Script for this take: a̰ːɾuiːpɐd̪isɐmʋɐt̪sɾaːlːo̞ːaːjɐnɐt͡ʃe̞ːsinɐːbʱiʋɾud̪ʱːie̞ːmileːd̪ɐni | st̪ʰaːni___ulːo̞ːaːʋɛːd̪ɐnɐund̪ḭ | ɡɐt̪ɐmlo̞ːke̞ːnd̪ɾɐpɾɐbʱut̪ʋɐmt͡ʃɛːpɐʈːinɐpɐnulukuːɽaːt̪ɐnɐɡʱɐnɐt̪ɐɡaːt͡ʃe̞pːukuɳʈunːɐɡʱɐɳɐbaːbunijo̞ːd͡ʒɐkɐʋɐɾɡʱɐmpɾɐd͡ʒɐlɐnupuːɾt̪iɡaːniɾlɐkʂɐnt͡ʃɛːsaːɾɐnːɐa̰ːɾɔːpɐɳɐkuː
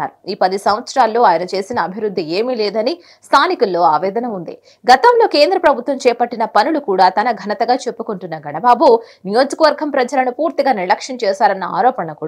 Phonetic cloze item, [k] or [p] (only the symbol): k